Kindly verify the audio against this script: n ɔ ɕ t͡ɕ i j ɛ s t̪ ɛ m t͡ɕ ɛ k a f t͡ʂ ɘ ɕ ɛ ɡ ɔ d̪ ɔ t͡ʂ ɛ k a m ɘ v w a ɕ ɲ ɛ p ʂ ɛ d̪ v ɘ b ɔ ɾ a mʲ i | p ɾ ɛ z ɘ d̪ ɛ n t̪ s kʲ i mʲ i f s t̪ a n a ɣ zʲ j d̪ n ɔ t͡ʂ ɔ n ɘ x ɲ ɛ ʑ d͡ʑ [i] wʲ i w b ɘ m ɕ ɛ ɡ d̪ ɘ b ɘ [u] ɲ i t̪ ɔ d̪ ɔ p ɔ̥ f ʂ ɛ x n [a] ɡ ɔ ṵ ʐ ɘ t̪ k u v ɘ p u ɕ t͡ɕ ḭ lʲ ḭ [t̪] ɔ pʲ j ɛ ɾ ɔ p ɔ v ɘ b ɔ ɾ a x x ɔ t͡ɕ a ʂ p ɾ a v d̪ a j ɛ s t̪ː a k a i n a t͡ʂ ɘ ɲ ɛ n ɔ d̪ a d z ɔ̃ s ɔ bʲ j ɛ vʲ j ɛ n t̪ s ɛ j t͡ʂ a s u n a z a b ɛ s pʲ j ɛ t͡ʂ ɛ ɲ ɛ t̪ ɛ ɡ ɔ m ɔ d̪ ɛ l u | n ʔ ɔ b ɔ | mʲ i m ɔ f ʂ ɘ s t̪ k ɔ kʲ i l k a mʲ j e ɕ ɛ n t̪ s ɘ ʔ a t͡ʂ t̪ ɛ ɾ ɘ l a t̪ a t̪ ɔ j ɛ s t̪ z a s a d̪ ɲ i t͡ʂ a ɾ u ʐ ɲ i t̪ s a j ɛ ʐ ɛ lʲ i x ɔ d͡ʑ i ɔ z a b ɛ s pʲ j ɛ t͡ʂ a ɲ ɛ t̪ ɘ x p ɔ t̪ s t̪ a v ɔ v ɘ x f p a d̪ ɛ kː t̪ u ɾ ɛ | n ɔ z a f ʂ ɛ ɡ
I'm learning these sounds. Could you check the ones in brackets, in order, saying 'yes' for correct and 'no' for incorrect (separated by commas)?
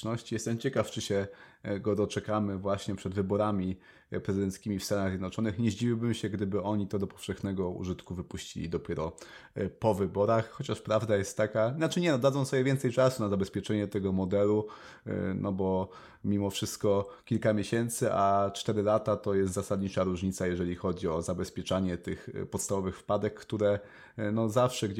yes, no, no, no